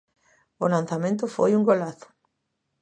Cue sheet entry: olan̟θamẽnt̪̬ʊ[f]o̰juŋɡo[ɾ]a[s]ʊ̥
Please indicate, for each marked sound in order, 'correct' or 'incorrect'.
correct, incorrect: l, incorrect: θ

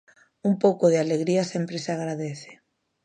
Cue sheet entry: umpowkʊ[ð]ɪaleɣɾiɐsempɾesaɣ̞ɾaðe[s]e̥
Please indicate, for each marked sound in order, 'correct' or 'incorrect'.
correct, incorrect: θ

